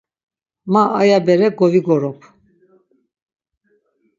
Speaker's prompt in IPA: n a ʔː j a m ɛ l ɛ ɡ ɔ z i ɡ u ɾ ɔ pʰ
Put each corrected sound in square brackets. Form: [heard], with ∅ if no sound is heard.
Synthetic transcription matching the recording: [m] a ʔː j a [b] ɛ [ɾ] ɛ ɡ ɔ [v] i ɡ [ɔ] ɾ ɔ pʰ